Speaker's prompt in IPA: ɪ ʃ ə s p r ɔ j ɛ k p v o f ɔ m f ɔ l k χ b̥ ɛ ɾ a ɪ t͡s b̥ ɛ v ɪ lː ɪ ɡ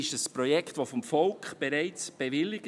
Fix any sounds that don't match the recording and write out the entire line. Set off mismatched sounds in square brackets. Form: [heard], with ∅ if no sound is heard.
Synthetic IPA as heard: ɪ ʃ ə s p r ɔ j ɛ k [t] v o f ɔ m f ɔ l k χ b̥ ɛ ɾ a ɪ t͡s b̥ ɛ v ɪ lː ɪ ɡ